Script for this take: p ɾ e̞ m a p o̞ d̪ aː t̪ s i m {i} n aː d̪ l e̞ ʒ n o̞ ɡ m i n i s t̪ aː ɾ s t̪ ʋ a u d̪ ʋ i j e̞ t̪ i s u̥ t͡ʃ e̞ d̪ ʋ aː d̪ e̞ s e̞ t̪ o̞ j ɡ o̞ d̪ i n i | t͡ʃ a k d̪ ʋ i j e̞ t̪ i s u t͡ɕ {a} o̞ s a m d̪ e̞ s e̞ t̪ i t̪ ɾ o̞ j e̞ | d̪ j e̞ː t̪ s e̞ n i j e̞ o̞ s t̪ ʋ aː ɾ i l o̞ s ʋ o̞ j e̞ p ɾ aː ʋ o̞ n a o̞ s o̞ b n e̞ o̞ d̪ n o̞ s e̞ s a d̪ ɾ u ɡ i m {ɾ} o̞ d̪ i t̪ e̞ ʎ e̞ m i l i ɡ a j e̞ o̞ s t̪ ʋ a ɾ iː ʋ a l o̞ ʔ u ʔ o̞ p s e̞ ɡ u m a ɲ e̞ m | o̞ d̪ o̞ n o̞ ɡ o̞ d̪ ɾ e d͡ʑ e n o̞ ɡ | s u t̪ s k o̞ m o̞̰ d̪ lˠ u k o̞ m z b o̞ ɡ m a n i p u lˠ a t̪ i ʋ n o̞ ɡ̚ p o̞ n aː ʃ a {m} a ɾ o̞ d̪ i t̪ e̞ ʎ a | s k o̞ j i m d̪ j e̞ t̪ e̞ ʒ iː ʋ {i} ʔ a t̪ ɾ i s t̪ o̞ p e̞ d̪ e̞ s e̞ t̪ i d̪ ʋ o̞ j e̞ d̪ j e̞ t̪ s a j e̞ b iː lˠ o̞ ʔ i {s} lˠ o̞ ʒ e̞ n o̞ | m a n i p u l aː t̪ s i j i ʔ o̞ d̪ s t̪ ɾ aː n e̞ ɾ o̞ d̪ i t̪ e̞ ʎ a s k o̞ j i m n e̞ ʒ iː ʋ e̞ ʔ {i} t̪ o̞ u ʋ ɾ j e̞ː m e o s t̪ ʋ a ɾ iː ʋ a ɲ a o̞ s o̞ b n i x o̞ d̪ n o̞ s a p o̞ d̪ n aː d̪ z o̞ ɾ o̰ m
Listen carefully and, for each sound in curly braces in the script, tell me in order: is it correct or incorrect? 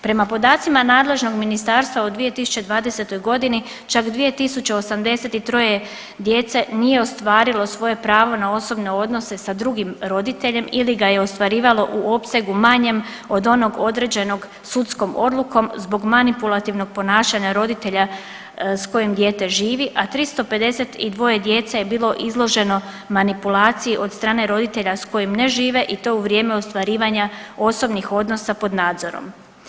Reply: incorrect: a, incorrect: e, correct, incorrect: ɲ, correct, incorrect: z, correct

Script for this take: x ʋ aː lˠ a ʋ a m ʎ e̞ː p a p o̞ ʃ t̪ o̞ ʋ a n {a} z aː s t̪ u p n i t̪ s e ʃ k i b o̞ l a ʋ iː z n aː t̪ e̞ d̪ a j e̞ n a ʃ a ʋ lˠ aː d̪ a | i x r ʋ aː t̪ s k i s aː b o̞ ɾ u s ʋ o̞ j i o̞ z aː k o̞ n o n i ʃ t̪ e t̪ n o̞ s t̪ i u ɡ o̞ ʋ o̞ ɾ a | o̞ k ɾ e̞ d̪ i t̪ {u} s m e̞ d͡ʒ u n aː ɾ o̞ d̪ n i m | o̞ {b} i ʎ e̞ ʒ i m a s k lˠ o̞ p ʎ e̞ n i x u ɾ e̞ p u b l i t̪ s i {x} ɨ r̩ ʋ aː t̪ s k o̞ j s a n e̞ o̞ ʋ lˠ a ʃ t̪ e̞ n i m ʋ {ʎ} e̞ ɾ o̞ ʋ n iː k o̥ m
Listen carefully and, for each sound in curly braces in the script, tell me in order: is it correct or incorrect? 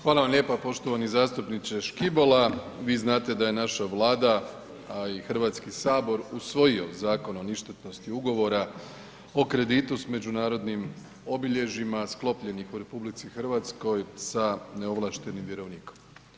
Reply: incorrect: i, correct, correct, correct, incorrect: j

